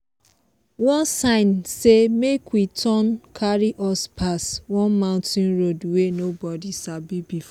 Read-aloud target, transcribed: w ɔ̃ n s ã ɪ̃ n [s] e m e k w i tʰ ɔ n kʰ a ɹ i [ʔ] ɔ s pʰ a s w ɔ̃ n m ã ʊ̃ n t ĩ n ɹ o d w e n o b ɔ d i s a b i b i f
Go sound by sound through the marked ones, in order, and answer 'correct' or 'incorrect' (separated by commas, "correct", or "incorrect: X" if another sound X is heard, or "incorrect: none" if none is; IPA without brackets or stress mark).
correct, correct